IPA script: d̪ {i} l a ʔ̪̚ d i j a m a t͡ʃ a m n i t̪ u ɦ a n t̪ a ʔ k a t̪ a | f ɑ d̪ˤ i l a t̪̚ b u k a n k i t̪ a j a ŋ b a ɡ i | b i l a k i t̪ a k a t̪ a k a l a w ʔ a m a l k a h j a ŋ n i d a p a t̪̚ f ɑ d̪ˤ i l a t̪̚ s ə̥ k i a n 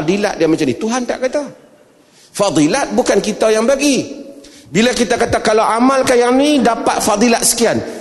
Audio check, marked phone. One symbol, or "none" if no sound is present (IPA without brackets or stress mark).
i